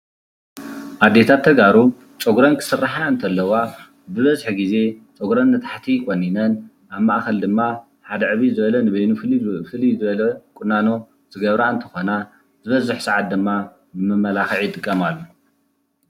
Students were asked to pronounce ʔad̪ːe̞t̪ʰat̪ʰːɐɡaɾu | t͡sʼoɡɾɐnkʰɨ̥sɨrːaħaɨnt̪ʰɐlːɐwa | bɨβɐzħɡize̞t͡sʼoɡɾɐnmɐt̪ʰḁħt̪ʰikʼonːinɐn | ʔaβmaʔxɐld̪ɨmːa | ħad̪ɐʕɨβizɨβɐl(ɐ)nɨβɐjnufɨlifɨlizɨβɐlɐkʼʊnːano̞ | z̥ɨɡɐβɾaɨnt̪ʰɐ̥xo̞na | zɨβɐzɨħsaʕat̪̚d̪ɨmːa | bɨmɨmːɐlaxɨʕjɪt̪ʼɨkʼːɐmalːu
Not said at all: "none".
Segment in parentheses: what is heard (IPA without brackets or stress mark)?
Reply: ɐ